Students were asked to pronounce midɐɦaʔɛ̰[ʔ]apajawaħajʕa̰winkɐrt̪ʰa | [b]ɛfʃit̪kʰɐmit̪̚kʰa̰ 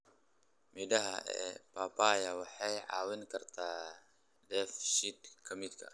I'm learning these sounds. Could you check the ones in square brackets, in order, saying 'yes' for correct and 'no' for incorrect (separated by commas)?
no, no